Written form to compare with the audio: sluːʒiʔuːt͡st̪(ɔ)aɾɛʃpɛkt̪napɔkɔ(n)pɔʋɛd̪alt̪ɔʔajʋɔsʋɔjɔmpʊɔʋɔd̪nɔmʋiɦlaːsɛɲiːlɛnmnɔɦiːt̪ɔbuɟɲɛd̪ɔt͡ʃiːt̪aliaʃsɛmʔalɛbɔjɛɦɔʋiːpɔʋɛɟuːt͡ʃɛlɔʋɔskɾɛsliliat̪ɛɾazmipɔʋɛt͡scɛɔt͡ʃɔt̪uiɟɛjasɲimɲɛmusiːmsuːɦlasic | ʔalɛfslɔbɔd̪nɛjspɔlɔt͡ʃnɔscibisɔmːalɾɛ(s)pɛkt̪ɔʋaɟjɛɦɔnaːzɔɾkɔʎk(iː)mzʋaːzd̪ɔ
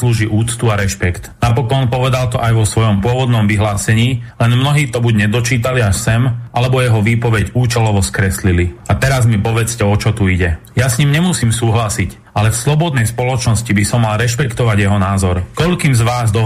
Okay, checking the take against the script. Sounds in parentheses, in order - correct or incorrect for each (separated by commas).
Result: incorrect, correct, incorrect, correct